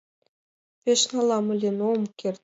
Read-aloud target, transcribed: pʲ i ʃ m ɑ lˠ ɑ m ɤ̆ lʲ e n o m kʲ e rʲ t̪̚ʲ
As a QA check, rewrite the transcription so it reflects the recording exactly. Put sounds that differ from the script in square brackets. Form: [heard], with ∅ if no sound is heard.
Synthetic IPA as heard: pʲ [e] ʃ [n] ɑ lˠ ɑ m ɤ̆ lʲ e n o m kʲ e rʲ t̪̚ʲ